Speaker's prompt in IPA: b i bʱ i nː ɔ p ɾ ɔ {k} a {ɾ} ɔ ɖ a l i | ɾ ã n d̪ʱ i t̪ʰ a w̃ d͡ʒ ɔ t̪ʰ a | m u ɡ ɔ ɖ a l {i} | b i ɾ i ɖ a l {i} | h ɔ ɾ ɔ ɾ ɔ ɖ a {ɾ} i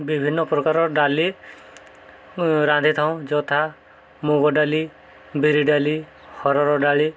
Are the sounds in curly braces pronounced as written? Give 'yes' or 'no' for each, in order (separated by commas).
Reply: yes, yes, yes, yes, no